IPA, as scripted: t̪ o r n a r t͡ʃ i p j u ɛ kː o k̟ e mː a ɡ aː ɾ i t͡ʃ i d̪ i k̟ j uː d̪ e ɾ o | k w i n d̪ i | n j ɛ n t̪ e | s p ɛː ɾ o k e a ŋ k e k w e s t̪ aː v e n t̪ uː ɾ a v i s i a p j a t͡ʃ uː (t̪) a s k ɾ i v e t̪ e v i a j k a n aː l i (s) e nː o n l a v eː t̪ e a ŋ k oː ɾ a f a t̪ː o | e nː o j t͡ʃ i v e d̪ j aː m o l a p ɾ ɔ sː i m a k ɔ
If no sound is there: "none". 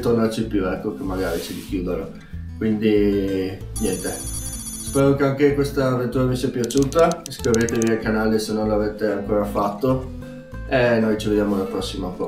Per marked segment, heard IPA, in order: t̪, s

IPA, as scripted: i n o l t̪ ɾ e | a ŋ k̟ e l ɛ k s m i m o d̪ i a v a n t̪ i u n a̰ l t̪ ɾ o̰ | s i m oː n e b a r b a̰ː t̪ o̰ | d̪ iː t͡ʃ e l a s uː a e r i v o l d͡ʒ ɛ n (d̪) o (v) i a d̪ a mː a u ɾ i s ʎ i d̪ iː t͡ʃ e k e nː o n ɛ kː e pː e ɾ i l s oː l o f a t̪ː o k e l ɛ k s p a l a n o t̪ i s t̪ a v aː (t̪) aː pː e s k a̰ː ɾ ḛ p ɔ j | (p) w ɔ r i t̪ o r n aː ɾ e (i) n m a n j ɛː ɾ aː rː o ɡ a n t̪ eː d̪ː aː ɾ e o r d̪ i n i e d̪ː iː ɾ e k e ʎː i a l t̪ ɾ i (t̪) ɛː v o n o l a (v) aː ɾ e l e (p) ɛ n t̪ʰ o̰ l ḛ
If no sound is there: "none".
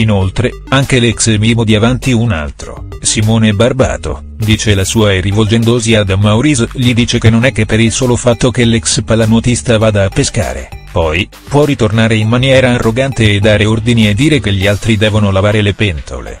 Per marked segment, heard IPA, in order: d̪, z, d̪, p, i, d̪, v, p

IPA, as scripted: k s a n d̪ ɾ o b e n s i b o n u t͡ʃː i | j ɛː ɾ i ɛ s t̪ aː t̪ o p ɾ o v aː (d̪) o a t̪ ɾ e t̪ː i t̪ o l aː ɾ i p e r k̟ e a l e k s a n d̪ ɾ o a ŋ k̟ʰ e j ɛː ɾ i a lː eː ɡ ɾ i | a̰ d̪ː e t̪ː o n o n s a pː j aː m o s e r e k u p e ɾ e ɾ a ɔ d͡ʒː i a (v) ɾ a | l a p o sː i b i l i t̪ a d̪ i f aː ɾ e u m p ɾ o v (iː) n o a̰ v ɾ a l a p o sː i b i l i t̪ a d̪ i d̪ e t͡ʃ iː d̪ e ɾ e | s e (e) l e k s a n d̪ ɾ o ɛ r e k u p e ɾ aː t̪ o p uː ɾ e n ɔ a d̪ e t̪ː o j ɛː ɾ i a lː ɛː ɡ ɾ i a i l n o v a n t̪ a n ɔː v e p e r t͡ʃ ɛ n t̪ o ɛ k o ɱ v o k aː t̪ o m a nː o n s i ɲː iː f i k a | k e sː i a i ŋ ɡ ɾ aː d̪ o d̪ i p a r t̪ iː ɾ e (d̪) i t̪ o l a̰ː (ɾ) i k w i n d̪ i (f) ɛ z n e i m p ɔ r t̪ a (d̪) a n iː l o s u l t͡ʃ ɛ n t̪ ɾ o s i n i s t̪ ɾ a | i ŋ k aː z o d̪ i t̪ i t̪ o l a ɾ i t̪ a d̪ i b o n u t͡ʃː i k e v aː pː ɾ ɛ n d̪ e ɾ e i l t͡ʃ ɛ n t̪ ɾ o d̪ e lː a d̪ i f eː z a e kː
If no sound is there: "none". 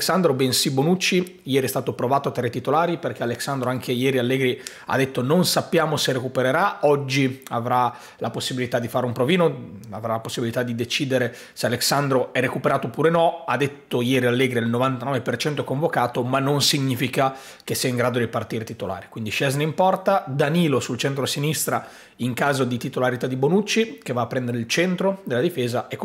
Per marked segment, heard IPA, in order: t̪, v, iː, a, t̪, ɾ, ʃ, d̪

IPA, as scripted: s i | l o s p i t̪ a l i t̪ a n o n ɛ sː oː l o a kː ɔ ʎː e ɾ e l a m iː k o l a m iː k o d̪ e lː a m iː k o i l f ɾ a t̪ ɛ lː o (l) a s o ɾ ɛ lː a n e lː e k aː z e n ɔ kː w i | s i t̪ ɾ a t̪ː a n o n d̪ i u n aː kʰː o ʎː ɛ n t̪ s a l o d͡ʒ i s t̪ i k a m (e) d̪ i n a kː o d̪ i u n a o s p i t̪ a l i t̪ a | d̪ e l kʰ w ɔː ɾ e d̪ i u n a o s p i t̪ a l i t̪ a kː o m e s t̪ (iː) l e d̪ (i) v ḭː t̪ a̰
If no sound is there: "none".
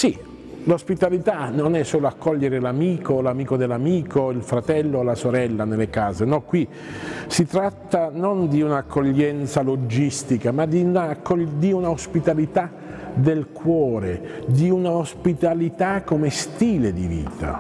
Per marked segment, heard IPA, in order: l, a, iː, i

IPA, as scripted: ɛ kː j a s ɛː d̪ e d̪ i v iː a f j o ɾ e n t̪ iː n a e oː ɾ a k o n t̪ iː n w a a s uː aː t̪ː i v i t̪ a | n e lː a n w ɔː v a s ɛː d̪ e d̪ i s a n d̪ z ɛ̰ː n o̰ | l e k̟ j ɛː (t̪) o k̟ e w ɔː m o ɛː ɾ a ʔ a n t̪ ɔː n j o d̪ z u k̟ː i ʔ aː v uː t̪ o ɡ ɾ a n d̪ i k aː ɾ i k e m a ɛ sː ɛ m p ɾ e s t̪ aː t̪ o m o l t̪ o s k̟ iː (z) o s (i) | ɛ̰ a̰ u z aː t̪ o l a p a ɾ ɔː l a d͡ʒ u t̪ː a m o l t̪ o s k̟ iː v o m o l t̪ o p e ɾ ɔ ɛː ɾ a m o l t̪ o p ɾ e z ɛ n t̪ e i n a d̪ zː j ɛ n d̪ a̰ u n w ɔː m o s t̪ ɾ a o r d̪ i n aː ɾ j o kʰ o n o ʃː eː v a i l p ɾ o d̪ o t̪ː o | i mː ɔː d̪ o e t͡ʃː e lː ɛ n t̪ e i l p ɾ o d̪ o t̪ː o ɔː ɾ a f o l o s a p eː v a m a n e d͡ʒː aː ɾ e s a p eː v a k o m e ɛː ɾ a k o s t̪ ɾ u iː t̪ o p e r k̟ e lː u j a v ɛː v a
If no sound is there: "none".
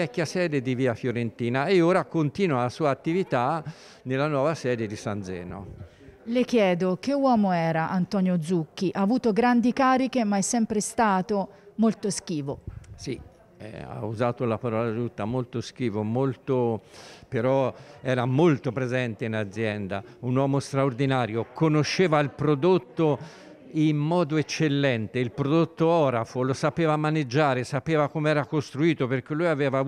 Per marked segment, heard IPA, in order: d̪, v, i

